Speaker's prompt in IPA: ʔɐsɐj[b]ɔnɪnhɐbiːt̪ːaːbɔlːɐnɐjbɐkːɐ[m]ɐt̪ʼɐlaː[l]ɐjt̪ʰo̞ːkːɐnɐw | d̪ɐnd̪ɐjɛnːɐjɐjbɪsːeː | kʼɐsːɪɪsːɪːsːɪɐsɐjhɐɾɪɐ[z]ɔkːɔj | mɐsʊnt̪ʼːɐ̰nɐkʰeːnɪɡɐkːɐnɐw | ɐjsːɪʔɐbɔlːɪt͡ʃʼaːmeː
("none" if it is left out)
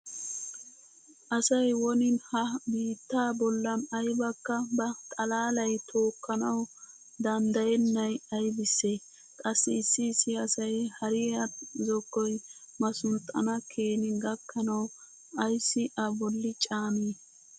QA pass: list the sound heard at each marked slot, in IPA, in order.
w, b, l, z

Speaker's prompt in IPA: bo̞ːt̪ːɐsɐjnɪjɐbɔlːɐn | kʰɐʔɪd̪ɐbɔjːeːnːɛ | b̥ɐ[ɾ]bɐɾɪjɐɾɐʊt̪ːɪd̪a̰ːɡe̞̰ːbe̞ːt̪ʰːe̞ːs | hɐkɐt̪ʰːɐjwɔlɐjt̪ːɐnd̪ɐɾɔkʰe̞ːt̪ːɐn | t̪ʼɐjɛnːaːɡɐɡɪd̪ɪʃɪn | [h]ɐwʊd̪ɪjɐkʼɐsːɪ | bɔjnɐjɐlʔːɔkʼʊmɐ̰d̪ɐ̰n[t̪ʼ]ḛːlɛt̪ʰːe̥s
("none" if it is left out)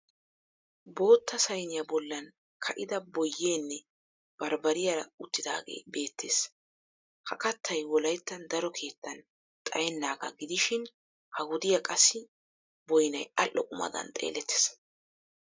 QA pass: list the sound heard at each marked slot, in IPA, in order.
ɾ, h, t̪ʼ

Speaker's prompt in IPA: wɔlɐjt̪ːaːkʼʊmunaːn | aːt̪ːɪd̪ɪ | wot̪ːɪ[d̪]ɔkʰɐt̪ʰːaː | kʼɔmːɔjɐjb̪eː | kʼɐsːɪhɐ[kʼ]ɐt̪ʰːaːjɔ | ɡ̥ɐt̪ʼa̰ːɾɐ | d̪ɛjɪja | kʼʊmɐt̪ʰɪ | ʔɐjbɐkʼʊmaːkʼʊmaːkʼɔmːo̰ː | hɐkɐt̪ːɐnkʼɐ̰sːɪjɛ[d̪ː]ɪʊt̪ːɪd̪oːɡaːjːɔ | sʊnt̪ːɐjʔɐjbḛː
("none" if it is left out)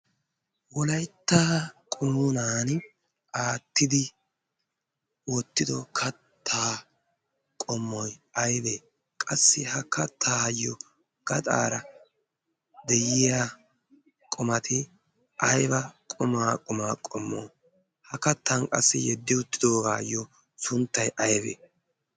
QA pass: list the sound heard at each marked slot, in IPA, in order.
d̪, k, d̪ː

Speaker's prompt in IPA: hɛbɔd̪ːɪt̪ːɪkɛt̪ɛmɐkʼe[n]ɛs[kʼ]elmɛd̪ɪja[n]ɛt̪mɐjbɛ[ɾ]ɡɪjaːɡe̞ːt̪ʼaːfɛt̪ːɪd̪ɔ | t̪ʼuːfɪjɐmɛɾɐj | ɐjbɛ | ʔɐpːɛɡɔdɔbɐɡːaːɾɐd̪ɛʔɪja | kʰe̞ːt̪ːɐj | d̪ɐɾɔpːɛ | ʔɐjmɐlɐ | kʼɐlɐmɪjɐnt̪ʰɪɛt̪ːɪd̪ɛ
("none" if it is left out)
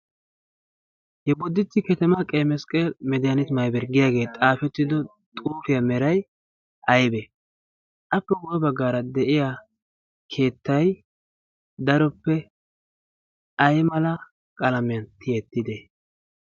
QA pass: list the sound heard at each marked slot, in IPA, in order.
m, kʼ, n, ɾ

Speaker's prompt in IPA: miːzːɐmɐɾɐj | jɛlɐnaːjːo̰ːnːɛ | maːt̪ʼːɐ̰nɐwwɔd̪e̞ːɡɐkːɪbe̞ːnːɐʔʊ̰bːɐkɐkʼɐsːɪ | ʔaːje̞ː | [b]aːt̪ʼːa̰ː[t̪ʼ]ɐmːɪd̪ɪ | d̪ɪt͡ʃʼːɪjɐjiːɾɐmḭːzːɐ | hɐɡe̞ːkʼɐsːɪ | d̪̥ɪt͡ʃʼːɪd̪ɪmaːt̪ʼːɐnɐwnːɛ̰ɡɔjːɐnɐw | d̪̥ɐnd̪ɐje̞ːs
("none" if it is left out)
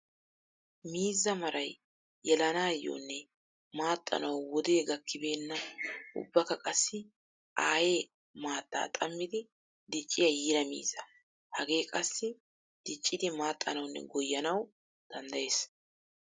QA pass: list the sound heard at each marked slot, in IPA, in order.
m, t̪ʼ

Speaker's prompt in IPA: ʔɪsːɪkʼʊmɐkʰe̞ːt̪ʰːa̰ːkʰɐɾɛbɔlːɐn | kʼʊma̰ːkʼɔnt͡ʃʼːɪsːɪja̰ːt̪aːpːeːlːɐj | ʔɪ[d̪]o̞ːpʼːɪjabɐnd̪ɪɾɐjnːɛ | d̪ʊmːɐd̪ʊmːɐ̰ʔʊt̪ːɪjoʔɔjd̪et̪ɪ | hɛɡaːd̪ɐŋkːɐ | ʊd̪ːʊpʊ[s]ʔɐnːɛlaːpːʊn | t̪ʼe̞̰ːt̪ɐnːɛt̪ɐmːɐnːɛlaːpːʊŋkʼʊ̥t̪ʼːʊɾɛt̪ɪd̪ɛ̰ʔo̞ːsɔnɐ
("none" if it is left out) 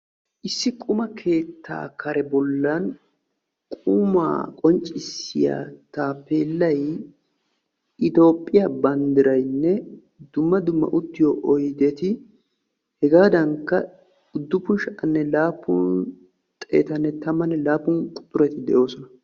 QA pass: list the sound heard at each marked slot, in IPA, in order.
t̪, ʃ

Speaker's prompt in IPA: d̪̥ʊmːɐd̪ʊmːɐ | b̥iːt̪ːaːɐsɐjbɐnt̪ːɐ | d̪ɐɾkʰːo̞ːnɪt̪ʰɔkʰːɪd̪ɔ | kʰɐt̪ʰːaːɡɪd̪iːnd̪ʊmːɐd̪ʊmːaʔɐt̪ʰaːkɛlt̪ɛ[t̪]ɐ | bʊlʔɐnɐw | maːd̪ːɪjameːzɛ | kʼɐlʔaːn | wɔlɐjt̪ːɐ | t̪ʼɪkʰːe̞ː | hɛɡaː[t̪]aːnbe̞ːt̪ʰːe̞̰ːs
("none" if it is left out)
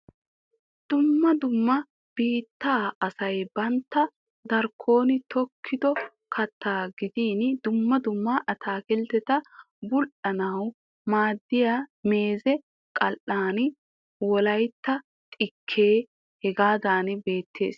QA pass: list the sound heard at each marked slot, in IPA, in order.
t̪, d̪

